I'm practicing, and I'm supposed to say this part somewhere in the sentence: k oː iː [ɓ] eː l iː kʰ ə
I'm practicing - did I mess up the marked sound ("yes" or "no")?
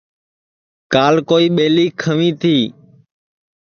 no